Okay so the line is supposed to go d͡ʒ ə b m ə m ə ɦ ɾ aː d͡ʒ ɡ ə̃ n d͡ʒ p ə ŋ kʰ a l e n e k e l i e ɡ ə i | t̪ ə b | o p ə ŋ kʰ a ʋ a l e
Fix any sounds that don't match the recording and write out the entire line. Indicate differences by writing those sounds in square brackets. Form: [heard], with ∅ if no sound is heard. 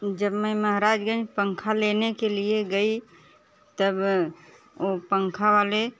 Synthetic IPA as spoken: d͡ʒ ə b m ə m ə ɦ ɾ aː d͡ʒ ɡ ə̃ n d͡ʒ p ə ŋ kʰ a l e n e k e l i e ɡ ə i | t̪ ə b | o p ə ŋ kʰ a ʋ a l e